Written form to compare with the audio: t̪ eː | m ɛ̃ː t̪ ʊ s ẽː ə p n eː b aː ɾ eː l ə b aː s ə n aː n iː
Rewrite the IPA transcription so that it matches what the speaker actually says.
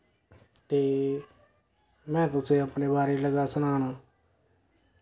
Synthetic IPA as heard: t̪ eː | m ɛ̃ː t̪ ʊ s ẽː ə p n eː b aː ɾ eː l ə ɡ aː s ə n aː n aː